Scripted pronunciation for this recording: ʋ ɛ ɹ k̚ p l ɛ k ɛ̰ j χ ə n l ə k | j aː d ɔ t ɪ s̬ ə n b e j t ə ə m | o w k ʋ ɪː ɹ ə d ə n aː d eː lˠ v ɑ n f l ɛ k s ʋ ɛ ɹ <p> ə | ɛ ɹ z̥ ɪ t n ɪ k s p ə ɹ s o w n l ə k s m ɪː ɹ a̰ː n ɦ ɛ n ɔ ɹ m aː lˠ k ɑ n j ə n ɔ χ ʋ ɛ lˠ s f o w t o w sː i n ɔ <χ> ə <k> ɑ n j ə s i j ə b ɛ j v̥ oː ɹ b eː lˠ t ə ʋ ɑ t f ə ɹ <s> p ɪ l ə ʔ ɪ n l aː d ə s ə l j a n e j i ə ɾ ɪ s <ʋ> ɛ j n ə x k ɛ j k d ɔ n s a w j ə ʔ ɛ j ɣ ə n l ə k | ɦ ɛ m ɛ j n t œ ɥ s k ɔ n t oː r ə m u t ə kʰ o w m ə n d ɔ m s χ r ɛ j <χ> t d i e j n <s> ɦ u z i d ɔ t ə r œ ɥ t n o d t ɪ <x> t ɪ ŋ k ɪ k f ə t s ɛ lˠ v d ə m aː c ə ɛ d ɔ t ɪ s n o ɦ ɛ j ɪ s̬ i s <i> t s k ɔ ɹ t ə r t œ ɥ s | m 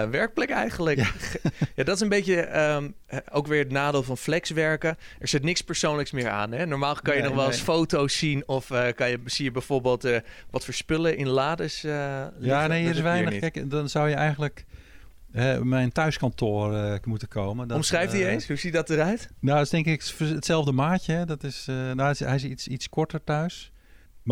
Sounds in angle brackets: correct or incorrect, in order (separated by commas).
incorrect, incorrect, correct, correct, correct, incorrect, correct, incorrect, correct